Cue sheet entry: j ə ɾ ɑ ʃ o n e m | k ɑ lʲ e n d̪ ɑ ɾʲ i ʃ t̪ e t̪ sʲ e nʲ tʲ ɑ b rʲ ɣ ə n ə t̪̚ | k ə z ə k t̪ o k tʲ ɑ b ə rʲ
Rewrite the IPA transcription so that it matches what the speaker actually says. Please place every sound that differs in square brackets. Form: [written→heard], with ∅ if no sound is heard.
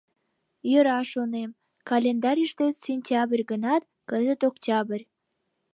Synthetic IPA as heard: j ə ɾ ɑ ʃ o n e m | k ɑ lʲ e n d̪ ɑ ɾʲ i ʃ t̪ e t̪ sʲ e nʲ tʲ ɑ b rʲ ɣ ə n [ə→ɑ] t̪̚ | k ə z ə [k→∅] t̪ o k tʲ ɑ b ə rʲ